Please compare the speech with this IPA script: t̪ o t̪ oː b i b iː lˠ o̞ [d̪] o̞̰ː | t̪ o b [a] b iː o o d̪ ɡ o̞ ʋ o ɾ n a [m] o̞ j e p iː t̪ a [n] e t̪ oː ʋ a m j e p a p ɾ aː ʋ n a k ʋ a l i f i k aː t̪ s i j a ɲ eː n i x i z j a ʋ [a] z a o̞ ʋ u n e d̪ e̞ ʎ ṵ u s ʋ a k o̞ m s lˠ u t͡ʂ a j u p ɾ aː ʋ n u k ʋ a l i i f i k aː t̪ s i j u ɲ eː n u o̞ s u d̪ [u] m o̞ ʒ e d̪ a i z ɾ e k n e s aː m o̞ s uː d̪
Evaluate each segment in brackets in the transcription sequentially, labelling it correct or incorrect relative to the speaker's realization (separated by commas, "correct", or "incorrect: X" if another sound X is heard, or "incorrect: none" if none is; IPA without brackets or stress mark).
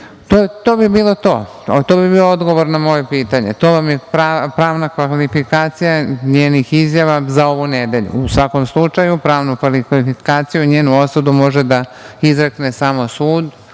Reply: incorrect: t̪, incorrect: i, correct, incorrect: ɲ, correct, correct